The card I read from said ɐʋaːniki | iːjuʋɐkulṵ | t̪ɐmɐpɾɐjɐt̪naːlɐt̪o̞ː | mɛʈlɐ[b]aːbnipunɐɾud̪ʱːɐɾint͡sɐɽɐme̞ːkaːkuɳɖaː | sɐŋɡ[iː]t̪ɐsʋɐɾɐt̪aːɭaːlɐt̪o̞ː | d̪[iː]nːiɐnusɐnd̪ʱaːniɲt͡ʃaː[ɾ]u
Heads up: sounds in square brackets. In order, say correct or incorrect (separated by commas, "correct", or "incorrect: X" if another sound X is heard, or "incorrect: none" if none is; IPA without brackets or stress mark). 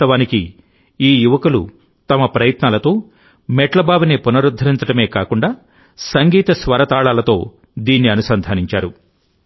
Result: correct, correct, correct, correct